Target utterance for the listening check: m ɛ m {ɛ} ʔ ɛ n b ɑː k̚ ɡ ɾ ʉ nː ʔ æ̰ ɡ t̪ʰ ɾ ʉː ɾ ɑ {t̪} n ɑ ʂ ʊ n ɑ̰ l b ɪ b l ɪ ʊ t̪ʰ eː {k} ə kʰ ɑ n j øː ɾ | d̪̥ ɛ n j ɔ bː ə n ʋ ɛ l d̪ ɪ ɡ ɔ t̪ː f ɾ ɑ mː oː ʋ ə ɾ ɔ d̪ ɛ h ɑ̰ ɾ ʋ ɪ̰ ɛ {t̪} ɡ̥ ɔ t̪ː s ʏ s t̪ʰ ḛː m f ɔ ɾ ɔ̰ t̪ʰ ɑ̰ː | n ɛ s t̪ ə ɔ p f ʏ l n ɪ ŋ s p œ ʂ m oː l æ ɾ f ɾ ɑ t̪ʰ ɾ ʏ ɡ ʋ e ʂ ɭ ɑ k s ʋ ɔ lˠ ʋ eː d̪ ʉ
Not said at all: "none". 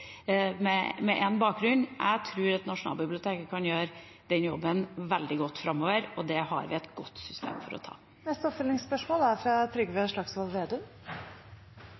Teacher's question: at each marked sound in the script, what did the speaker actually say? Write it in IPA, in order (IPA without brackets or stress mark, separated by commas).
ɛ, t̪, k, t̪